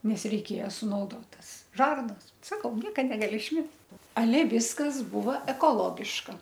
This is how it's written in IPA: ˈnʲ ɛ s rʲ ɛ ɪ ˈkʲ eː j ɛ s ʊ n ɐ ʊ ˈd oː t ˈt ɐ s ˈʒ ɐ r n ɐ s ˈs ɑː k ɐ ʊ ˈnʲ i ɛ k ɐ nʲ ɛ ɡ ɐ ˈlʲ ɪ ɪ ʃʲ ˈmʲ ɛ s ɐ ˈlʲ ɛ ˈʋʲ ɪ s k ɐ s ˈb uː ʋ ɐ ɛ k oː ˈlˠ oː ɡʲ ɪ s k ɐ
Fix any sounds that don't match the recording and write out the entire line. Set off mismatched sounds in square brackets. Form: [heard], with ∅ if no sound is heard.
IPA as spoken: ˈnʲ ɛ s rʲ ɛ ɪ ˈkʲ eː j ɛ s ʊ n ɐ ʊ ˈd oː t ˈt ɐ s ˈʒ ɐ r n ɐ s ˈs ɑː k ɐ ʊ ˈnʲ i ɛ k ɐ nʲ ɛ ɡ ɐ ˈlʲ ɪ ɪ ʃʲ ˈmʲ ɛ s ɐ ˈlʲ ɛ ˈʋʲ ɪ s k ɐ s ˈb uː ʋ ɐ ɛ k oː ˈlˠ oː ɡʲ ɪ [ʃ] k ɐ